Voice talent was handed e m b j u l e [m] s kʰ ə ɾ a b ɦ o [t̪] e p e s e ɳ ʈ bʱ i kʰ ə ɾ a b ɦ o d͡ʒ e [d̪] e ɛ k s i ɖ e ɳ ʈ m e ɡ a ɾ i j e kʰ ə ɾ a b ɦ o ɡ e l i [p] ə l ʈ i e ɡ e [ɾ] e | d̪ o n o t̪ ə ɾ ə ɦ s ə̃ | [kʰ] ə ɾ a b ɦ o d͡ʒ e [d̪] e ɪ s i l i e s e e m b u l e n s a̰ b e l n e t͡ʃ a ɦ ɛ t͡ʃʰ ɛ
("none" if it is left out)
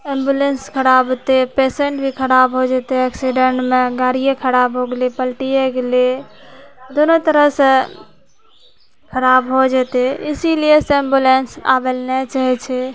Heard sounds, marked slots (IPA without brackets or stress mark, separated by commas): n, t̪, t̪, p, l, kʰ, t̪